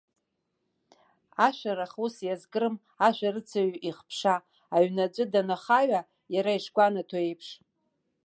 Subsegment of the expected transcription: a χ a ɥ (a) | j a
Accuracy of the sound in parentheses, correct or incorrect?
correct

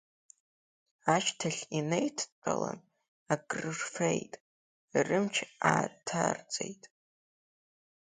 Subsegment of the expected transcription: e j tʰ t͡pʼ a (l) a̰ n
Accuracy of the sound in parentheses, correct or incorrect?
correct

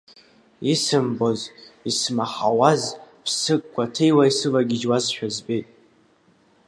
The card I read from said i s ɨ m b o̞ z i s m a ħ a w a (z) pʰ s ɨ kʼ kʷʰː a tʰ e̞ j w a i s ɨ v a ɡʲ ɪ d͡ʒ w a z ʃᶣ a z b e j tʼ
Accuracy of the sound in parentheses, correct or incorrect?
correct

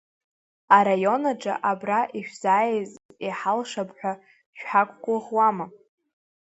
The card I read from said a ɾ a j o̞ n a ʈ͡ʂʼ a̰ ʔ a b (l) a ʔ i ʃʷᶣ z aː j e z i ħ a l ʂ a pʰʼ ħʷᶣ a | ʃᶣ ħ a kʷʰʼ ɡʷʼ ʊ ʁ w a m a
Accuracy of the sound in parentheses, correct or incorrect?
incorrect: r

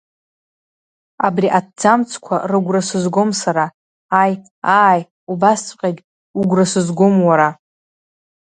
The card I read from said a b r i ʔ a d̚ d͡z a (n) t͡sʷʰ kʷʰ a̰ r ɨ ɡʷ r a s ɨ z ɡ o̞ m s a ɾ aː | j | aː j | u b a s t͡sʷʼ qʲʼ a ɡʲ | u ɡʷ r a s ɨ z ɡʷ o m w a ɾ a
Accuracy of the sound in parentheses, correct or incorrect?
incorrect: m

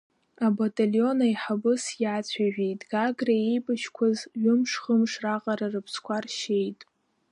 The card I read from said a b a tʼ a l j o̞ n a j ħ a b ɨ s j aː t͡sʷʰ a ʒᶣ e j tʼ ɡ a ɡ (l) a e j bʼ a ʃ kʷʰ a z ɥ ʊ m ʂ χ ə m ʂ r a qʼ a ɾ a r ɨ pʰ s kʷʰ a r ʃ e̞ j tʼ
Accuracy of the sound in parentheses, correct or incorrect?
incorrect: r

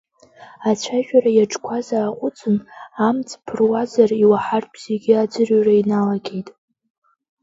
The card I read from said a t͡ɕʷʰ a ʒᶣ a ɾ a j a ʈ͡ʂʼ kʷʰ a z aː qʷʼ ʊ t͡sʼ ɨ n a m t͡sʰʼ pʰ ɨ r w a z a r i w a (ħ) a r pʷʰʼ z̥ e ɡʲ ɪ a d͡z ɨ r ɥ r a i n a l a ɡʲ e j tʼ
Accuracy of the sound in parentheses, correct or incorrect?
correct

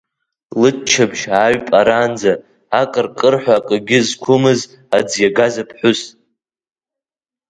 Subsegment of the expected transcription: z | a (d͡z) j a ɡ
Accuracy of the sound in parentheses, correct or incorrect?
correct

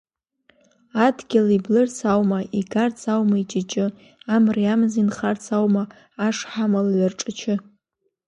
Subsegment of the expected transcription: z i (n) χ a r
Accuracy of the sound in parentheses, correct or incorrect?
correct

